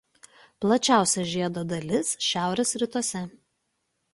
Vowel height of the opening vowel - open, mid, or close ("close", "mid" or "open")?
open